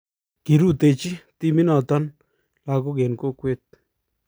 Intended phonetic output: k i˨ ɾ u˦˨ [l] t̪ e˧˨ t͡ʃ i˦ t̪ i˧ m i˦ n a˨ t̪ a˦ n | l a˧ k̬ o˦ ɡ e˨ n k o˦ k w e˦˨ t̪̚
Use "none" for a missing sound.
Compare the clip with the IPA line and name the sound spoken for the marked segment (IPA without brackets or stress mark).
none